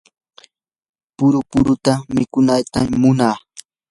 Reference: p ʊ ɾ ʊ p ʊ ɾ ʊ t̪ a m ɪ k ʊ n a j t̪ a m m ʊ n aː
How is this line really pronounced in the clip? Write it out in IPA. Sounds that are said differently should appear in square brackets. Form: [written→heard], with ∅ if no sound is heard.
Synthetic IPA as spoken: p ʊ ɾ ʊ p ʊ ɾ ʊ t̪ a m ɪ k ʊ n a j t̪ a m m ʊ n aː